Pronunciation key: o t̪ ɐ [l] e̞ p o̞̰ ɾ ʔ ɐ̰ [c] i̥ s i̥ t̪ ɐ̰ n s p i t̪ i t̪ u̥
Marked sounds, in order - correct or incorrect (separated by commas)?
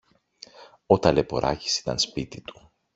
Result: correct, correct